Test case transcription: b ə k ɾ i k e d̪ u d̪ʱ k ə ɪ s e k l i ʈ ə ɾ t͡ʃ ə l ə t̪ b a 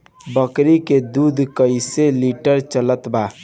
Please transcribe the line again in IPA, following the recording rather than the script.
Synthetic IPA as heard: b ə k ɾ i k e d̪ u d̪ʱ k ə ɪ s e l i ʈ ə ɾ t͡ʃ ə l ə t̪ b a